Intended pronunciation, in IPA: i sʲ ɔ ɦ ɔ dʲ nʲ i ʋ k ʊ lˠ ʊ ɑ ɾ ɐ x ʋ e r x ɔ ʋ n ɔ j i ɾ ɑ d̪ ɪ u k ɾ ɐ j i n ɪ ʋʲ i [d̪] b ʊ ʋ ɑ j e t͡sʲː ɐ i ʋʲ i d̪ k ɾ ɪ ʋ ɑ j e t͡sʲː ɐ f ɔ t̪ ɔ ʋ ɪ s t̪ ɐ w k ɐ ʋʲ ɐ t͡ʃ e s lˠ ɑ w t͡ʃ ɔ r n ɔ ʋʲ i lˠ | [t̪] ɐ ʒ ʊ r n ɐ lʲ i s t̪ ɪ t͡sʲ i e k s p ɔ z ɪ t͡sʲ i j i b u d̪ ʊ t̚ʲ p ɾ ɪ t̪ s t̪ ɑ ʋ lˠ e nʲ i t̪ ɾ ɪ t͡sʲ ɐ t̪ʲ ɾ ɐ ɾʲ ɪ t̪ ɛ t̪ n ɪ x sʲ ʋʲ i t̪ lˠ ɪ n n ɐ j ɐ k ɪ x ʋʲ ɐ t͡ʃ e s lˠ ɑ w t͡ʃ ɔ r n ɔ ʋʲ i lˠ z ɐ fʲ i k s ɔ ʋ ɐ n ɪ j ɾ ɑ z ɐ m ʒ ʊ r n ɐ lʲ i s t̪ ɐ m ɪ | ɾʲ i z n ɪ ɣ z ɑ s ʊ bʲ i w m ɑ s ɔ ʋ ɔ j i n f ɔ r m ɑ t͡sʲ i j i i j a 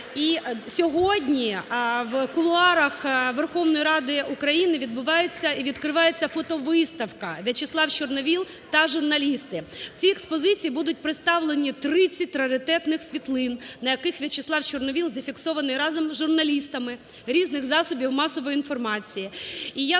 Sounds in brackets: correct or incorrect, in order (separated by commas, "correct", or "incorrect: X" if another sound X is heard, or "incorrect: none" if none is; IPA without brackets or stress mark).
correct, correct